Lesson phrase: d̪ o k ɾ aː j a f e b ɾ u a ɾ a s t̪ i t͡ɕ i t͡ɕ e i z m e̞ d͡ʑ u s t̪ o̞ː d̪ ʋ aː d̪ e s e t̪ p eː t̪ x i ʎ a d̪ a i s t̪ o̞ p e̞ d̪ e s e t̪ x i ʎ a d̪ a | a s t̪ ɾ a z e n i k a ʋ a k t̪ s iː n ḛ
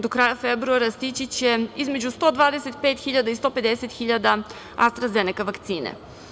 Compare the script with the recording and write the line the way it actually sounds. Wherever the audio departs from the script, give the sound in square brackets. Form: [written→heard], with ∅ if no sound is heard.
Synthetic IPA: d̪ o k ɾ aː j a f e b ɾ u a ɾ a s t̪ i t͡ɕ i t͡ɕ e i z m e̞ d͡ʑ u s t̪ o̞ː d̪ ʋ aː d̪ e s e t̪ p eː t̪ x i ʎ a d̪ a i s t̪ o̞ p e̞ d̪ e s e t̪ x i ʎ a d̪ a | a s t̪ ɾ a z e n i k a ʋ a k t̪ s iː n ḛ